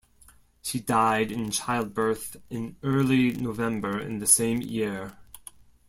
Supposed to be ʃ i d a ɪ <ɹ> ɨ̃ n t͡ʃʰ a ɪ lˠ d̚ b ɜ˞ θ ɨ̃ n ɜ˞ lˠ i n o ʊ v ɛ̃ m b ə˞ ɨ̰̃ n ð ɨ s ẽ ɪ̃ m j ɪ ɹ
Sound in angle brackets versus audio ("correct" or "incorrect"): incorrect